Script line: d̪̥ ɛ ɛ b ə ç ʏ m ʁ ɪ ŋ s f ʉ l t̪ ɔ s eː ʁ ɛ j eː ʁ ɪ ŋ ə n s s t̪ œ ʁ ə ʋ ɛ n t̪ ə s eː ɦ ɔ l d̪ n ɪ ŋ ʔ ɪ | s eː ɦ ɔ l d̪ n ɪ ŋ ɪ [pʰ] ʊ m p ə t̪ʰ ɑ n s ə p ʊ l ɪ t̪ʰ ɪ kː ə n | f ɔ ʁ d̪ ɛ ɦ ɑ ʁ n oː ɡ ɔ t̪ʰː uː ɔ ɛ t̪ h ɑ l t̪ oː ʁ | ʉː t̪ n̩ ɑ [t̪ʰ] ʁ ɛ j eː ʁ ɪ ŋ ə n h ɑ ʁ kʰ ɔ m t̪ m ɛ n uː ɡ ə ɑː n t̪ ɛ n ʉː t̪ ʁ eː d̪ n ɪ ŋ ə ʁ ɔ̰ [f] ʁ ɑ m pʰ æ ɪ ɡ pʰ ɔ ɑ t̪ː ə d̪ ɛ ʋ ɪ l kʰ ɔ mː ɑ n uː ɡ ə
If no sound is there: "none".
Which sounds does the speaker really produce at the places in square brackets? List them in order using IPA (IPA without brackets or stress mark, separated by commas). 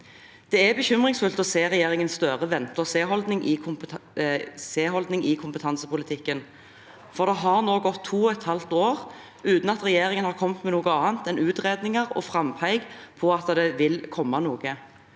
kʰ, t̪, f